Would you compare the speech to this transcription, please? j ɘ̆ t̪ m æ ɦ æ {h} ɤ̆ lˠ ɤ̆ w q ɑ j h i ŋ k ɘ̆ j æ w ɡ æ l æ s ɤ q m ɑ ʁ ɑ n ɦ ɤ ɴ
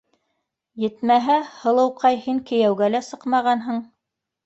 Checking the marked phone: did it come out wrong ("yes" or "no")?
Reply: no